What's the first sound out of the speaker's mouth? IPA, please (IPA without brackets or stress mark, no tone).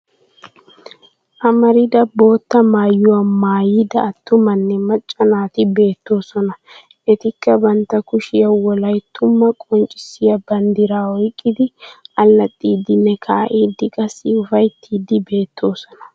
ʔ